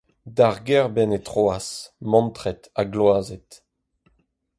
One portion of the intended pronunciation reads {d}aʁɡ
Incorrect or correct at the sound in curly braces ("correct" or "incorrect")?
correct